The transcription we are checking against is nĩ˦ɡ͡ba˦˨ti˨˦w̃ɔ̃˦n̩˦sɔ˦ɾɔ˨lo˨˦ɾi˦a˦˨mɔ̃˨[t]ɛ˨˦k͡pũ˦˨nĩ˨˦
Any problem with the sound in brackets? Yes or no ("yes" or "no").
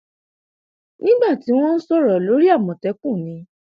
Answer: no